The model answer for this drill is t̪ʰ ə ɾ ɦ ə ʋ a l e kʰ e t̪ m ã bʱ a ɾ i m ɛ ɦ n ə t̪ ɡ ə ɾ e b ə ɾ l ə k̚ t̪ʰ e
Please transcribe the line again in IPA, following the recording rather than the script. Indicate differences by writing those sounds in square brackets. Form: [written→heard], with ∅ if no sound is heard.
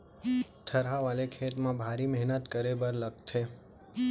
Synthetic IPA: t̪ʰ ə ɾ ɦ [ə→a] ʋ a l e kʰ e t̪ m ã bʱ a ɾ i m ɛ ɦ n ə t̪ [ɡ→k] ə ɾ e b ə ɾ l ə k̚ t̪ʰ e